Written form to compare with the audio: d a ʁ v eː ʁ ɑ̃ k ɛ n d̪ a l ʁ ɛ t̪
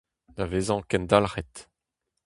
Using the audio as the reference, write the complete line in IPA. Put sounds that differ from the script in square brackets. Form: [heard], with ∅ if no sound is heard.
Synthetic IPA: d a [∅] v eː [z] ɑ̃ k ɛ n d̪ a l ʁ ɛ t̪